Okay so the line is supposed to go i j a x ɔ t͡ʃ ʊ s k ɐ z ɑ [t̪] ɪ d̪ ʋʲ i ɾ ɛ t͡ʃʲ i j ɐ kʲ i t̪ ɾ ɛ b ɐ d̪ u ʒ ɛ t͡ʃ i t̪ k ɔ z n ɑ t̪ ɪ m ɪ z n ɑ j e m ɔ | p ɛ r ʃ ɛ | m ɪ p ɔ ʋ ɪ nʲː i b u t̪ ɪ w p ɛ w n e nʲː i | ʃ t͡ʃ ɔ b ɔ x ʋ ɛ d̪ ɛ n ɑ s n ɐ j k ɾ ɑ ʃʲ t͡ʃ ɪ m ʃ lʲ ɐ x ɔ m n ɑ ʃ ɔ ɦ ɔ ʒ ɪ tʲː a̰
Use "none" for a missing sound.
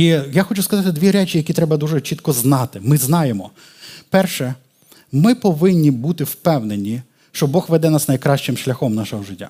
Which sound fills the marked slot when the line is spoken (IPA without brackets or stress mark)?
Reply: t̪